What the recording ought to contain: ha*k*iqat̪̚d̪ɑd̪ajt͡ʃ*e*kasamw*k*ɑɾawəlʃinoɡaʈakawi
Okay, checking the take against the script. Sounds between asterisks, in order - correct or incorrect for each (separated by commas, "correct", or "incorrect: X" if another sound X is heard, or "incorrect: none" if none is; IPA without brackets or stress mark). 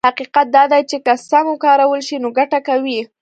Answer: incorrect: q, correct, correct